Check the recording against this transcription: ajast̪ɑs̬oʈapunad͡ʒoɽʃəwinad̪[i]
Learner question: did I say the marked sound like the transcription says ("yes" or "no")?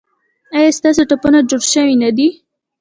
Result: yes